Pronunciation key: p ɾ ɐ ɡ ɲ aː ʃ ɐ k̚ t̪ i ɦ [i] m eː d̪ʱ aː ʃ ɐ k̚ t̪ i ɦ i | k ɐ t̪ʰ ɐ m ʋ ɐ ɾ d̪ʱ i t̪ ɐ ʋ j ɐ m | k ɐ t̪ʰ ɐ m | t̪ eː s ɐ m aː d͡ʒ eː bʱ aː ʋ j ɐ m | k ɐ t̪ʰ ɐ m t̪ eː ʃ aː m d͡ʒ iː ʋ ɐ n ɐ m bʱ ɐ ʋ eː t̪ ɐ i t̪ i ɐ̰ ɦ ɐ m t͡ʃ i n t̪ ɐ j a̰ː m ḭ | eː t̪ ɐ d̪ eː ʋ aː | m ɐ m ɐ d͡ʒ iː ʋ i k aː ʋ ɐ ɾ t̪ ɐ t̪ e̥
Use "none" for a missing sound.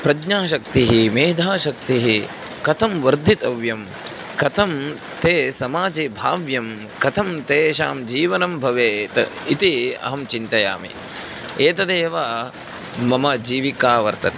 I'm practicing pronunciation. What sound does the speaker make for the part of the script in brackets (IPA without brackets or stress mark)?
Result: i